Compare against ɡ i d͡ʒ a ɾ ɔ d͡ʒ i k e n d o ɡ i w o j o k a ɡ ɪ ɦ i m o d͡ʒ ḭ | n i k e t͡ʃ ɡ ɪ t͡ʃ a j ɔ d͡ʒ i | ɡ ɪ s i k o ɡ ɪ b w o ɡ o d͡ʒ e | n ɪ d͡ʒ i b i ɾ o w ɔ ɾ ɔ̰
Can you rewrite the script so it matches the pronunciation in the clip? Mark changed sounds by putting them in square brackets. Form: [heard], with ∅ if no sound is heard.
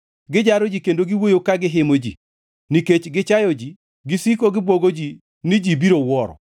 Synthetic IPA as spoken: ɡ [ɪ] d͡ʒ a ɾ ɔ d͡ʒ i k e n d o ɡ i w o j o k a ɡ ɪ ɦ [ɪ] m o d͡ʒ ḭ | n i k e t͡ʃ ɡ ɪ t͡ʃ a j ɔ d͡ʒ i | ɡ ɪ s i k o ɡ ɪ b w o ɡ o d͡ʒ [i] | n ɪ d͡ʒ i b i ɾ o w ɔ ɾ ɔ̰